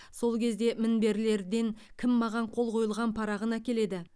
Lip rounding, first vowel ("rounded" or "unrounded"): rounded